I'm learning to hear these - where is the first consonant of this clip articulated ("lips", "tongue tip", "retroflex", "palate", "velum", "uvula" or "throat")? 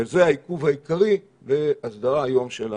tongue tip